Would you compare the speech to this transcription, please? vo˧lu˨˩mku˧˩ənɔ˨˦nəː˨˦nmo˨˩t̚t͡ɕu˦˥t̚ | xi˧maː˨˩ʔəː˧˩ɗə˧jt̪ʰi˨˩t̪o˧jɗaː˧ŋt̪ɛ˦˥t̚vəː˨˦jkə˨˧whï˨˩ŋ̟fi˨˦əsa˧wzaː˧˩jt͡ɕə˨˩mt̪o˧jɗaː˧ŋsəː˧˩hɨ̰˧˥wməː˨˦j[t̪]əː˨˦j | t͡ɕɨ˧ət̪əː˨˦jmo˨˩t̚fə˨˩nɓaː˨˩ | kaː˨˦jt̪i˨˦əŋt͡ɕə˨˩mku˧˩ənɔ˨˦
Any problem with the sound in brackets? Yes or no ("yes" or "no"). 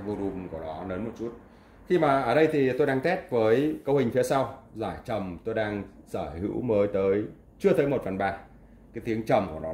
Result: no